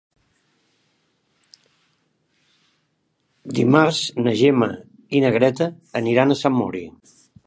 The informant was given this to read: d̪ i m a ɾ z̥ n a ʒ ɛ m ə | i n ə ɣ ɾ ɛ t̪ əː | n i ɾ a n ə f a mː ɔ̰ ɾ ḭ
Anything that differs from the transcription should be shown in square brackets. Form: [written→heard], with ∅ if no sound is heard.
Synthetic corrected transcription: d̪ i m a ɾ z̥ n [a→ə] ʒ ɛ m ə | i n ə ɣ ɾ ɛ t̪ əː | n i ɾ a n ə [f→s] a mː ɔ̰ ɾ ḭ

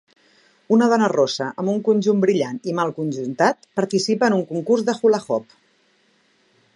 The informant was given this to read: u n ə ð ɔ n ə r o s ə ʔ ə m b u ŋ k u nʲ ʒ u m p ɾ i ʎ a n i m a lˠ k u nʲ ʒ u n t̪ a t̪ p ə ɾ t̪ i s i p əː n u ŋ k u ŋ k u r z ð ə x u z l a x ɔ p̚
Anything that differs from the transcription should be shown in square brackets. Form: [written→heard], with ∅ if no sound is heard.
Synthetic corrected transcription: u n ə ð ɔ n ə r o s ə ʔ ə m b u ŋ k u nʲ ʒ u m [p→b] ɾ i ʎ a n i m a lˠ k u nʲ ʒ u n t̪ a t̪ p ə ɾ t̪ i s i p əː n u ŋ k u ŋ k u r z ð ə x u [z→∅] l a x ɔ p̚

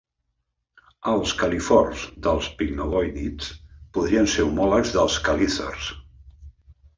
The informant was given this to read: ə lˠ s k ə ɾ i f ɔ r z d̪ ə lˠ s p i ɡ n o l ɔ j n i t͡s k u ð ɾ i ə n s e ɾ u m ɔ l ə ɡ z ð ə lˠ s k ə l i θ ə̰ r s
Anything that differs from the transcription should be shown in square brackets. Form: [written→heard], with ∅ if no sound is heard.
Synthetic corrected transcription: ə lˠ s k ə [ɾ→l] i f ɔ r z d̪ ə lˠ s p i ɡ n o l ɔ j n i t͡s [k→p] u ð ɾ i ə n s e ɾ u m ɔ l ə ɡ z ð ə lˠ s k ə l i θ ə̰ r s

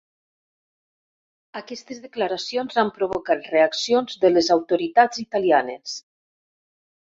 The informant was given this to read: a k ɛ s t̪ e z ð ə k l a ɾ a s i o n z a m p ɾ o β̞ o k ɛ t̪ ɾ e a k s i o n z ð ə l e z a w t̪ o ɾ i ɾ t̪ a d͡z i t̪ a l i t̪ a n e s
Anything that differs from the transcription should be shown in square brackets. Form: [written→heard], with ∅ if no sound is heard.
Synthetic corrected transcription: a k ɛ s t̪ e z ð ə k l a ɾ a s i o n z a m p ɾ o β̞ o k [ɛ→a] t̪ [ɾ→r] e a k s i o n z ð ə l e z a w t̪ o ɾ i [ɾ→∅] t̪ a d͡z i t̪ a l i [t̪→∅] a n e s

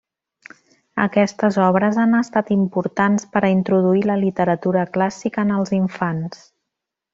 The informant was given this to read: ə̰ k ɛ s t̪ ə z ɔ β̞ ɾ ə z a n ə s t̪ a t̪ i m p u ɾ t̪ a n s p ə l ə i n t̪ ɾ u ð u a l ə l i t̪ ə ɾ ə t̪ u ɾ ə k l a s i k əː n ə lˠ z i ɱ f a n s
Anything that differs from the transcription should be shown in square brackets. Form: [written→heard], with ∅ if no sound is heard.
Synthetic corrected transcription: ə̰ k ɛ s t̪ ə z ɔ β̞ ɾ ə z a n ə s t̪ a t̪ i m p u ɾ t̪ a n s p ə [l→ɾ] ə i n t̪ ɾ u ð u [a→i] l ə l i t̪ ə ɾ ə t̪ u ɾ ə k l a s i k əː n ə lˠ z i ɱ f a n s

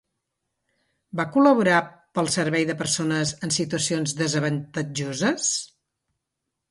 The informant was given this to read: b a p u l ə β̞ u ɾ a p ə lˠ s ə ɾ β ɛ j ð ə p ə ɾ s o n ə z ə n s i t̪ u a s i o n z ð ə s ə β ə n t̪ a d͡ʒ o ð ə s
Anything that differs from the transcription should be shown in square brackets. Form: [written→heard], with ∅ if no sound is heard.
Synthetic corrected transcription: b a [p→k] u l ə β̞ u ɾ a p ə lˠ s ə ɾ β ɛ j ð ə p ə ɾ s o n ə z ə n s i t̪ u [a→ə] s i o n z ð ə [s→z] ə β ə n t̪ [a→ə] d͡ʒ o [ð→z] ə s

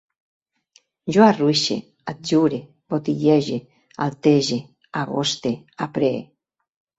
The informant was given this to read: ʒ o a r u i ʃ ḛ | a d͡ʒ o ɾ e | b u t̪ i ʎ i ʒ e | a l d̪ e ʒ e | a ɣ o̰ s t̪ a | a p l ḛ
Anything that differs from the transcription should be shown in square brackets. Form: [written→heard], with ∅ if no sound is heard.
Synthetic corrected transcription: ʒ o a r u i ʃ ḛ | a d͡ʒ [o→u] ɾ e | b [u→o] t̪ i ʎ [i→e] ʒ e | a l [d̪→t̪] e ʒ e | a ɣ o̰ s t̪ [a→e] | a p [l→ɾ] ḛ

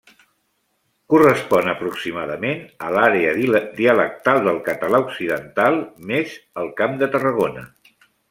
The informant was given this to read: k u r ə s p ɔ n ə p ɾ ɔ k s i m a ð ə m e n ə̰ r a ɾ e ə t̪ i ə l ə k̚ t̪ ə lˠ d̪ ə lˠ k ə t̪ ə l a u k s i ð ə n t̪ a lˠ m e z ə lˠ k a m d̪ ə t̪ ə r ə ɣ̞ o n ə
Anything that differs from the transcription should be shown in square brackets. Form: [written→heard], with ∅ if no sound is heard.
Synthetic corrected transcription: k u r ə s p ɔ n ə p ɾ [ɔ→u] k s i m a ð ə m e n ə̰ [r→l] a ɾ e ə [t̪→d̪] i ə l ə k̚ t̪ [ə→a] lˠ d̪ ə lˠ k ə t̪ ə l a u k s i ð ə n t̪ a lˠ m e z ə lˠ k a m d̪ ə t̪ ə r ə ɣ̞ o n ə

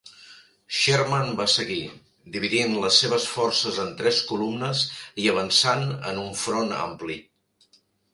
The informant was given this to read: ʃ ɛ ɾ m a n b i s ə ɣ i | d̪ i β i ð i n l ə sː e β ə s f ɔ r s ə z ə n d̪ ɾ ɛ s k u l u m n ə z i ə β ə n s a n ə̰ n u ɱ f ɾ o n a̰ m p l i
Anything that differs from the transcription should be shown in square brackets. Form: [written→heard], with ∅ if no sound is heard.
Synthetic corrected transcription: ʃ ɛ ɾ m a n b [i→a] s ə ɣ i | d̪ i β i ð i n l ə sː e β ə s f ɔ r s ə z ə n [d̪→t̪] ɾ ɛ s k u l u m n ə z i ə β ə n s a n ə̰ n u ɱ f ɾ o n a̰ m p l i

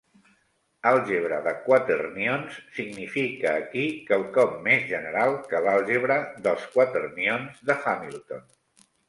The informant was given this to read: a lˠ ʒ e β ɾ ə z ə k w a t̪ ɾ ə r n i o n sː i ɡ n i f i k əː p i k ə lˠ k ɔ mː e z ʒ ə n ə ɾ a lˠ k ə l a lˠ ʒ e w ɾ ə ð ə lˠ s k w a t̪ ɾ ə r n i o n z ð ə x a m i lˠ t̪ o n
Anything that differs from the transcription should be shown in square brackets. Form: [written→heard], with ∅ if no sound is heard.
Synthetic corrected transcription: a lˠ ʒ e β ɾ ə [z→ð] ə k w a t̪ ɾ ə r n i o n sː i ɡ n i f i k əː [p→k] i k ə lˠ k ɔ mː e z ʒ ə n ə ɾ a lˠ k ə l a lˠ ʒ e [w→β] ɾ ə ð ə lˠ s k w a t̪ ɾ ə r n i o n z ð ə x a m i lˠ t̪ o n

